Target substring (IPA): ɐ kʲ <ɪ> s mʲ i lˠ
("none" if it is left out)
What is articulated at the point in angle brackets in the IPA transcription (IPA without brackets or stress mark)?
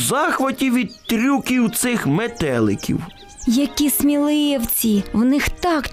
i